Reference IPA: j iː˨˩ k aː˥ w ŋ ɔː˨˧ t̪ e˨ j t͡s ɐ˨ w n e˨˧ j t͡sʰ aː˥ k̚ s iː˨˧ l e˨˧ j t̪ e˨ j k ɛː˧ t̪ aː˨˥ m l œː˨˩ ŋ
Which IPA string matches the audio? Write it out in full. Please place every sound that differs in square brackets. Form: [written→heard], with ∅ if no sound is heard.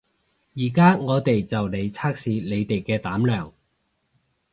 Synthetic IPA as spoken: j iː˨˩ k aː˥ [w→∅] ŋ ɔː˨˧ t̪ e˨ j t͡s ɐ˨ w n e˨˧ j t͡sʰ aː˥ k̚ s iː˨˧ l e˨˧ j t̪ e˨ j k ɛː˧ t̪ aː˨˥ m l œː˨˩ ŋ